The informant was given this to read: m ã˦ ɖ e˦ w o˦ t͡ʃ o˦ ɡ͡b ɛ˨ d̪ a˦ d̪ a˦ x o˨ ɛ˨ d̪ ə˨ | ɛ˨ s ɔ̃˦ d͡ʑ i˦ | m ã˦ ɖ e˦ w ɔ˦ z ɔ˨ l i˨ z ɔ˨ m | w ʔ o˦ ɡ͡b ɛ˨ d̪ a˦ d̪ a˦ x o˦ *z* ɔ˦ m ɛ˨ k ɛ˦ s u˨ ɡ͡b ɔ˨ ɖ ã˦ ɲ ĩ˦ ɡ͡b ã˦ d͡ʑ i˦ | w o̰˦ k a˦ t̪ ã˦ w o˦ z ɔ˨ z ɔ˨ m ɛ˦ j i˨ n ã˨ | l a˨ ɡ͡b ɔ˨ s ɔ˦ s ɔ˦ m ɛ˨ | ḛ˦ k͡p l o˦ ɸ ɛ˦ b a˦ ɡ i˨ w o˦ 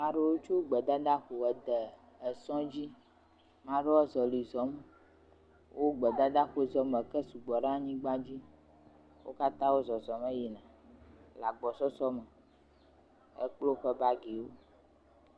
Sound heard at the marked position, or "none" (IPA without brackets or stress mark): z